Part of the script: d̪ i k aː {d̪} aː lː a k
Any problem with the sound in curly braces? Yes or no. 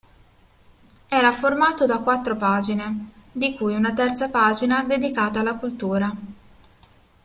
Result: yes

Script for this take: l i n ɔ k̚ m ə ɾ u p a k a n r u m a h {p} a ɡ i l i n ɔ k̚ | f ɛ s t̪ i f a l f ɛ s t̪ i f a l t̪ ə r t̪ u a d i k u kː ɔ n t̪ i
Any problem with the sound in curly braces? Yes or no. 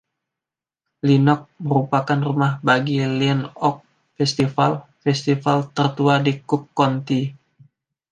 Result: yes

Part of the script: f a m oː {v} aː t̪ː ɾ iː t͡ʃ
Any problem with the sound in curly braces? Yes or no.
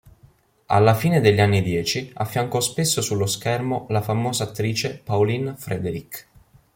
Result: yes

